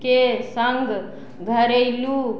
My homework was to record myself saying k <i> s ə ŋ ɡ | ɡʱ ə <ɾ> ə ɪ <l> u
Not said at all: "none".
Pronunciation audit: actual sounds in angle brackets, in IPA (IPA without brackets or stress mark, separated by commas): e, ɾ, l